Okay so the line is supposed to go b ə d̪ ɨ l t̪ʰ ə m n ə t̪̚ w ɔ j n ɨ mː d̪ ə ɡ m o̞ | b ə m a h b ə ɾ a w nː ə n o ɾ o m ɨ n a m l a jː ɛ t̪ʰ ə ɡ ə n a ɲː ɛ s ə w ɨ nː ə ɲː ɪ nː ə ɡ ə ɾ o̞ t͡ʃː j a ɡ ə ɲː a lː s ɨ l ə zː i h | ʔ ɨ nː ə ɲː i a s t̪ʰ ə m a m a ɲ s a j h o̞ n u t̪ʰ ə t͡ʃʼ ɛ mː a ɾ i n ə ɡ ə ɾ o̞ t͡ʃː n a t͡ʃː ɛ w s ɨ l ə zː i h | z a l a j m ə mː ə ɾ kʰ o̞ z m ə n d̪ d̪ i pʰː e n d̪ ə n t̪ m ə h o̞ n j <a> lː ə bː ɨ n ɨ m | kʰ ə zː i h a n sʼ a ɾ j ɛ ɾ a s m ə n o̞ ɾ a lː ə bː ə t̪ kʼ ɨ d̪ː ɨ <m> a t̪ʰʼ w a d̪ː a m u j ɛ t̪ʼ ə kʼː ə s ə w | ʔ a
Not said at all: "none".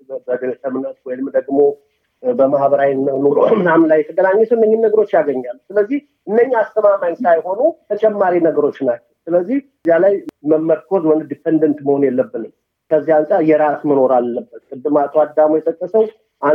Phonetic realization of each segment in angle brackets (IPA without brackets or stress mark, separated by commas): ɛ, m